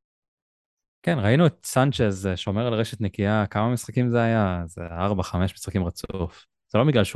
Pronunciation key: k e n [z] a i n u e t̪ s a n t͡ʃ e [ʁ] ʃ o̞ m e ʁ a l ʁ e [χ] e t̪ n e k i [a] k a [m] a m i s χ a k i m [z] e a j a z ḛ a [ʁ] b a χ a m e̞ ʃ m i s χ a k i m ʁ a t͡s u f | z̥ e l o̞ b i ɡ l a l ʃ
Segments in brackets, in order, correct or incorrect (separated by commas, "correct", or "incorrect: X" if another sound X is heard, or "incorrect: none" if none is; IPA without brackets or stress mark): incorrect: ʁ, incorrect: z, incorrect: ʃ, correct, correct, correct, correct